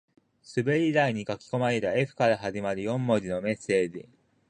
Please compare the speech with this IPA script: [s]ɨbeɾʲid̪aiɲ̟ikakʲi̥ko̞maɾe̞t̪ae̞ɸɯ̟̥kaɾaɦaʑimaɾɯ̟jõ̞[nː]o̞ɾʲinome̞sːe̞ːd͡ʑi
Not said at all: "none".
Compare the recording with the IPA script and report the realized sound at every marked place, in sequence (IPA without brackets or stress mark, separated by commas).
s, mː